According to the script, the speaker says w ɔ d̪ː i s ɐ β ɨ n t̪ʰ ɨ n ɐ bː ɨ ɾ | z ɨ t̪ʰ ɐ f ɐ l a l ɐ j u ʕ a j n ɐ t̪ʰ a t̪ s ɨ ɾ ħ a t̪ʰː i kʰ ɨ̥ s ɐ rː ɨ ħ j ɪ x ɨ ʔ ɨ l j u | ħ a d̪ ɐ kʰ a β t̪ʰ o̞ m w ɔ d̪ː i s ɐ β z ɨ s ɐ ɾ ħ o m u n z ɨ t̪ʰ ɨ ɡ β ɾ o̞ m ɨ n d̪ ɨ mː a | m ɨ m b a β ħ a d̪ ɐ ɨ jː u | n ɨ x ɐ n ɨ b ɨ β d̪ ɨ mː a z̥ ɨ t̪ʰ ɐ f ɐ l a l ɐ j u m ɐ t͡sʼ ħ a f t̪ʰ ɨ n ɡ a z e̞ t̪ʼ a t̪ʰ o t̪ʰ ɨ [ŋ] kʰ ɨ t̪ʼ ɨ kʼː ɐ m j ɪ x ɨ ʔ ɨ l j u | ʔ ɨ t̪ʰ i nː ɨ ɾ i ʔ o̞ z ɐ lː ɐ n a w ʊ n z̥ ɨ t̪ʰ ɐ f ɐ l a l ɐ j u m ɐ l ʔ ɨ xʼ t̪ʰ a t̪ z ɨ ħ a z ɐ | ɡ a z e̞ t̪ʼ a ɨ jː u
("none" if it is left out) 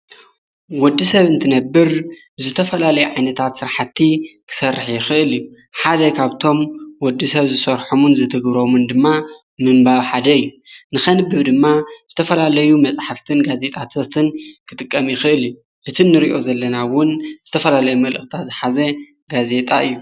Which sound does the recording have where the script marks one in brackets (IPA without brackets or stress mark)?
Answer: n